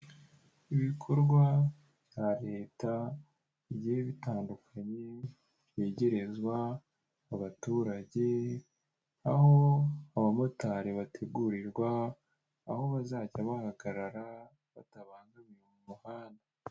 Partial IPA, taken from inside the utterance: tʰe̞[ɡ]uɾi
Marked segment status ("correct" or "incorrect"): correct